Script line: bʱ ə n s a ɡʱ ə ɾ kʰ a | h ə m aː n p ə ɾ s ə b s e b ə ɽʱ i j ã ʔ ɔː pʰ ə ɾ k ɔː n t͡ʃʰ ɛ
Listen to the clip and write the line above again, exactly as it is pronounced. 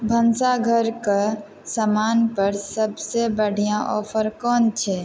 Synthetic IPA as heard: bʱ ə n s a ɡʱ ə ɾ k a | s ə m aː n p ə ɾ s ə b s e b ə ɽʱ i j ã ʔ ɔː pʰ ə ɾ k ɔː n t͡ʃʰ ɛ